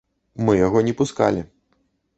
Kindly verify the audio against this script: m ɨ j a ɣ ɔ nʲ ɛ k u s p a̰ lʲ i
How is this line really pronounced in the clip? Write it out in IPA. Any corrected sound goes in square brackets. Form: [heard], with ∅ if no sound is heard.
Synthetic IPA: m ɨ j a ɣ ɔ nʲ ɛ [p] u s [k] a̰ lʲ i